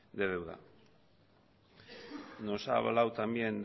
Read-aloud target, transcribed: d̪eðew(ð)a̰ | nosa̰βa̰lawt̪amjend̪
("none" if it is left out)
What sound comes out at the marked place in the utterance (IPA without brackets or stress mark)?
ð